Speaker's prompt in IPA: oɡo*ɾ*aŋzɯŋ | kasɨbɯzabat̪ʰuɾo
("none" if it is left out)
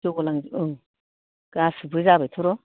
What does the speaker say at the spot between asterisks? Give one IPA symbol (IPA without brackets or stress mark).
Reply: l